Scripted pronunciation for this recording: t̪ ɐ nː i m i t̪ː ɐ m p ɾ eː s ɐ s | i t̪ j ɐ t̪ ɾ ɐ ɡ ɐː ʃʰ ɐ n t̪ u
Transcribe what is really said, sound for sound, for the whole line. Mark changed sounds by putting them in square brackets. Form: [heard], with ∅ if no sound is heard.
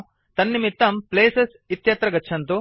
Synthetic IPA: t̪ ɐ nː i m i t̪ː ɐ m p [l] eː s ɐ s | i t̪ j ɐ t̪ ɾ ɐ ɡ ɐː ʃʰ ɐ n t̪ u